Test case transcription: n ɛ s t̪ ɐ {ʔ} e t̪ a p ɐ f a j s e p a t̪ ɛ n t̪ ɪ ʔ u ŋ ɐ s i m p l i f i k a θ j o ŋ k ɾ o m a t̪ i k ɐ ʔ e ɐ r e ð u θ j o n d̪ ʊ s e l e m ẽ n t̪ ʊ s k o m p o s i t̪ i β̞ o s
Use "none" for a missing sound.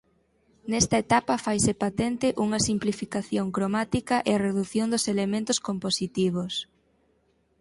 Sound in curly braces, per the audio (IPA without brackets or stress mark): none